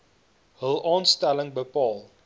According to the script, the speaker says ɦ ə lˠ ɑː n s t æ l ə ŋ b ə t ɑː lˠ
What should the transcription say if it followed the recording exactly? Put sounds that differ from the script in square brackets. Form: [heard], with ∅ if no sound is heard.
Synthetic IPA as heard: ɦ ə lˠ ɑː n s t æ l ə ŋ b ə [p] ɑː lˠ